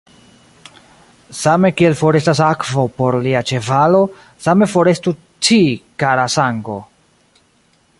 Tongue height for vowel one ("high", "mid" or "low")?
low